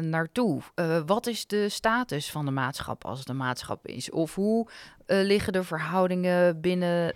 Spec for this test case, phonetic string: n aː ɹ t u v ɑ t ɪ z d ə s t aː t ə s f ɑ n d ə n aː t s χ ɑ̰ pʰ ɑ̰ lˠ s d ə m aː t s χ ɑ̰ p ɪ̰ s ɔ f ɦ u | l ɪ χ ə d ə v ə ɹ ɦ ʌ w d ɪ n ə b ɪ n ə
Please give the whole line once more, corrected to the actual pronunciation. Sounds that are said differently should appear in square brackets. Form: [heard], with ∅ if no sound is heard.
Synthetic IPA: n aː ɹ t u [ʋ] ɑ t ɪ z d ə s t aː t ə s f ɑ n d ə [m] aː t s χ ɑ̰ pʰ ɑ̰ lˠ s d ə m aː t s χ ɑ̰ p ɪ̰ s ɔ f ɦ u | l ɪ χ ə d ə v ə ɹ ɦ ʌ w d ɪ [ŋ] ə b ɪ n ə